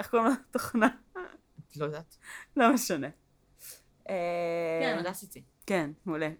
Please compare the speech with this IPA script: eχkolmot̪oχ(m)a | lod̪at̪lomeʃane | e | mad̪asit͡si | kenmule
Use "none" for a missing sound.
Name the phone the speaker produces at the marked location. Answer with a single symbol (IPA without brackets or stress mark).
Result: n